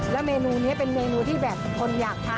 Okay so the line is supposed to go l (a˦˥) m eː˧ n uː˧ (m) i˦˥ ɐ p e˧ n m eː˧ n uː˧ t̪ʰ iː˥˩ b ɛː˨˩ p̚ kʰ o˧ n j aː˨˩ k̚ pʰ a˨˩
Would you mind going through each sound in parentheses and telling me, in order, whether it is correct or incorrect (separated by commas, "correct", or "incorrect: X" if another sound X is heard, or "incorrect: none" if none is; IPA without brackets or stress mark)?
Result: incorrect: ɛ˦˥, incorrect: n